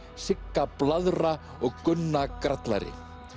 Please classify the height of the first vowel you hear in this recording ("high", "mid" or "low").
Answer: high